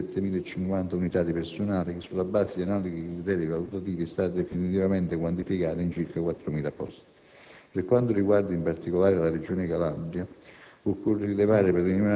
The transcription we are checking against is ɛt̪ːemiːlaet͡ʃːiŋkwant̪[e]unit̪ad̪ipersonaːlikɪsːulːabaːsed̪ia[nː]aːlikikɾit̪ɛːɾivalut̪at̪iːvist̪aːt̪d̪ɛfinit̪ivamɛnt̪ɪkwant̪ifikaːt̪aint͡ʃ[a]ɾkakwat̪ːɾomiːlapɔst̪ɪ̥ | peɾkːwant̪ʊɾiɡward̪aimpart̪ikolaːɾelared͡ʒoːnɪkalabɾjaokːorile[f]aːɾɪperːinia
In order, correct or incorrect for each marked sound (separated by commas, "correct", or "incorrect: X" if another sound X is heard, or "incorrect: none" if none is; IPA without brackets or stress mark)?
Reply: incorrect: a, incorrect: n, incorrect: i, incorrect: v